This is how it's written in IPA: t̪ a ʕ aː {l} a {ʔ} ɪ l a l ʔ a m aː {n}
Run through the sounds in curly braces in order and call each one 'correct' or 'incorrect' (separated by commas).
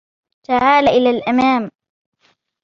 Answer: correct, correct, incorrect